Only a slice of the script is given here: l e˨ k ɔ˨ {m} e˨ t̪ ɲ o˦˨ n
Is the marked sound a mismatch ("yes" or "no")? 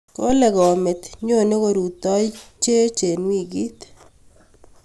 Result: no